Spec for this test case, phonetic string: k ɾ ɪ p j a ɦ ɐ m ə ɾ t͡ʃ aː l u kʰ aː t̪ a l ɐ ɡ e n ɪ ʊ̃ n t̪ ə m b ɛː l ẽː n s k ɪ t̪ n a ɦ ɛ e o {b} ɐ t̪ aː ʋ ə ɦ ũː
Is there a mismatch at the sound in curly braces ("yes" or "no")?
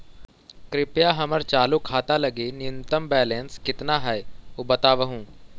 no